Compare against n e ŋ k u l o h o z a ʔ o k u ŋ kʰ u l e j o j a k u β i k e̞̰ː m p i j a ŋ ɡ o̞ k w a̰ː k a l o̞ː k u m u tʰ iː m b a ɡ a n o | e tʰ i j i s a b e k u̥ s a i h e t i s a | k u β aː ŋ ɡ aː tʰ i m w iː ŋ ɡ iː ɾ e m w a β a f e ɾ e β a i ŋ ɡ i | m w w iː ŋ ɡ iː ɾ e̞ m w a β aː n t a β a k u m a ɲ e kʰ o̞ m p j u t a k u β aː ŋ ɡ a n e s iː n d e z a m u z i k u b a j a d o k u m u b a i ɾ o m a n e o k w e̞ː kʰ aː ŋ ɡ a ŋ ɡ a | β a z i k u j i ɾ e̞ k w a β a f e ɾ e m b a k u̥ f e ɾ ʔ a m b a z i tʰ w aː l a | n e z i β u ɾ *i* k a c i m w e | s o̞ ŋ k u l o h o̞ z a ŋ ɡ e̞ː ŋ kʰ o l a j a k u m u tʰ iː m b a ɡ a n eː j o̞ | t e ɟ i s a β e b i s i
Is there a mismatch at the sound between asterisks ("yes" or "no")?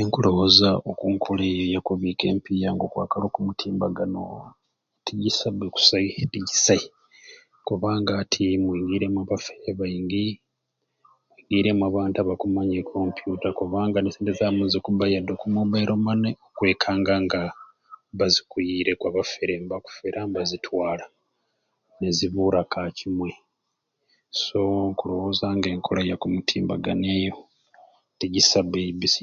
yes